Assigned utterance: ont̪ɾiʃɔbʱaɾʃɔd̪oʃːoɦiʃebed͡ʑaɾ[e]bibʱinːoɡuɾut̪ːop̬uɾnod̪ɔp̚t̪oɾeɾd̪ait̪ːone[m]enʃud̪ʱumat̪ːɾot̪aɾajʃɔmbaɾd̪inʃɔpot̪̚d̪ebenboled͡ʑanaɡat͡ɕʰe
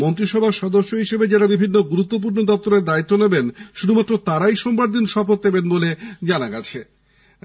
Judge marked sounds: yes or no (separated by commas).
no, no